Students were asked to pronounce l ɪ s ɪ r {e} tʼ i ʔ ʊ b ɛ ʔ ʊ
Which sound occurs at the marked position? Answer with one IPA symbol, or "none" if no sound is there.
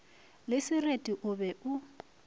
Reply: e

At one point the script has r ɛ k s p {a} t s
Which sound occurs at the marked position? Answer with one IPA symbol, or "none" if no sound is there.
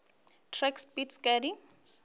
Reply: i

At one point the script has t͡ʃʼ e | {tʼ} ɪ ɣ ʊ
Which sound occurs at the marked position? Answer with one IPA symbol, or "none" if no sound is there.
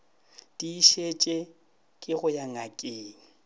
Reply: kʼ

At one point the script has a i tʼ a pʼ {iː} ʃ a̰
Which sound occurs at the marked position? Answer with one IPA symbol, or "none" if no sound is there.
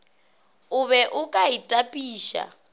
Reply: iː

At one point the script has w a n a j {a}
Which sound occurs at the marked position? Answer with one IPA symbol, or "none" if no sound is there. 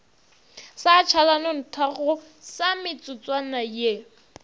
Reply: e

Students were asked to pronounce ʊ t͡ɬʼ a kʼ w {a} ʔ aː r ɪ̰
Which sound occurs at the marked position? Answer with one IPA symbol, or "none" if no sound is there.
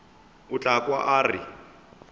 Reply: a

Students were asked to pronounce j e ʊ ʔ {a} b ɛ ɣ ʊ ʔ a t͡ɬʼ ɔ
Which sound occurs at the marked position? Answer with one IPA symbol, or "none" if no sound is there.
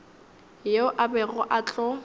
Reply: a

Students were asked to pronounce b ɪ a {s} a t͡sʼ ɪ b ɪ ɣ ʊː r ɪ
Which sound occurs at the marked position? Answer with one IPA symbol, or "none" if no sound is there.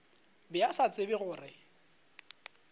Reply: s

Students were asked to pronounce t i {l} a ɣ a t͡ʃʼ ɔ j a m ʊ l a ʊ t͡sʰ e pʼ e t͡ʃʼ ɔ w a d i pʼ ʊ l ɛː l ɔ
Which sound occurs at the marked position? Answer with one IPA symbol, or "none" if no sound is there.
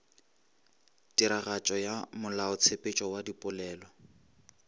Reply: ɾ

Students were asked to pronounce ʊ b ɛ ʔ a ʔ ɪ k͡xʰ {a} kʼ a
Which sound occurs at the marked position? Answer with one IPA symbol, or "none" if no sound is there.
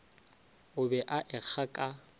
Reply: a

